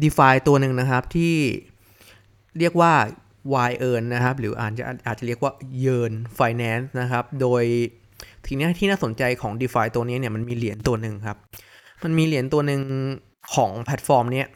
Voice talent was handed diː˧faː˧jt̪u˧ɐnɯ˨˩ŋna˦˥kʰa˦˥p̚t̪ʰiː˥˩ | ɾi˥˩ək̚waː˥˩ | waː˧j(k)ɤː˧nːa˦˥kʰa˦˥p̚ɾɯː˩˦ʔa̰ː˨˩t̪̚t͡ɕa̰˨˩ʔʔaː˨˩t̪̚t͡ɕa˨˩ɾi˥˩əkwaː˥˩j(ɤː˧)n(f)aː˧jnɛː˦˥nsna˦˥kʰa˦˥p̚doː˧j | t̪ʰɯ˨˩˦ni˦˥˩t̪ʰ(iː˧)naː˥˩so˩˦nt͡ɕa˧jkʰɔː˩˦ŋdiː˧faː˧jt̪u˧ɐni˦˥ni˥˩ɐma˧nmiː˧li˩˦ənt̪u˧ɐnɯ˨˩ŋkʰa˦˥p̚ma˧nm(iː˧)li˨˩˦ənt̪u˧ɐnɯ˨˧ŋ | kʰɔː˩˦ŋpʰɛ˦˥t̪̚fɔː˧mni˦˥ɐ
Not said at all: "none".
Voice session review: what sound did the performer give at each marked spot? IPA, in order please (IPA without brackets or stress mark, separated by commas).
ʔ, ɤː˧, f, iː˥˩, iː˧